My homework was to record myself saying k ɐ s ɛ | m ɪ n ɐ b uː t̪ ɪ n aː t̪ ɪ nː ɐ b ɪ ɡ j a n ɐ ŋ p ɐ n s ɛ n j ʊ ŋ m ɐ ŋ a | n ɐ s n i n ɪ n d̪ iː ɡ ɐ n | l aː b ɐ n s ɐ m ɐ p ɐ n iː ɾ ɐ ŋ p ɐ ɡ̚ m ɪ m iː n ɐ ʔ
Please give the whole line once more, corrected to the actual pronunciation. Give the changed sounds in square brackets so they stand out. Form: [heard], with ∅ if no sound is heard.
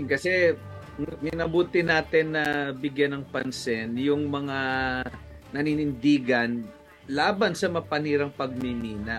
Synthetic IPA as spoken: k ɐ s ɛ | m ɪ n ɐ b uː t̪ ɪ n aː t̪ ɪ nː ɐ b ɪ ɡ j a n ɐ ŋ p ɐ n s ɛ n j ʊ ŋ m ɐ ŋ a | n ɐ [∅] n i n ɪ n d̪ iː ɡ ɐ n | l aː b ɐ n s ɐ m ɐ p ɐ n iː ɾ ɐ ŋ p ɐ ɡ̚ m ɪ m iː n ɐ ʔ